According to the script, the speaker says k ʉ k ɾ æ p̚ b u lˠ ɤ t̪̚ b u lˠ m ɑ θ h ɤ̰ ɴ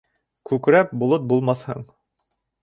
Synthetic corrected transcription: k ʉ k ɾ æ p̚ b u lˠ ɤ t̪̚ b u lˠ m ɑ θ h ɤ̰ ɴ